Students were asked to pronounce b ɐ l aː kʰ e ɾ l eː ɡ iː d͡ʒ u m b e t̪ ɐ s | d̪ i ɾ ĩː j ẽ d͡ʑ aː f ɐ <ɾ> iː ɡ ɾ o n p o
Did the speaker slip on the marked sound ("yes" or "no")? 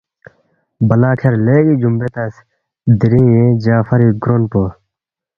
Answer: no